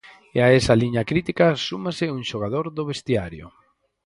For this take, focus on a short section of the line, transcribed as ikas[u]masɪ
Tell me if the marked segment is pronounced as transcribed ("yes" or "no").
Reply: yes